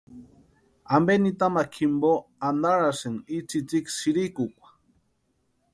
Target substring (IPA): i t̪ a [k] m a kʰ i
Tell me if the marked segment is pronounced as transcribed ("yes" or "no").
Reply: no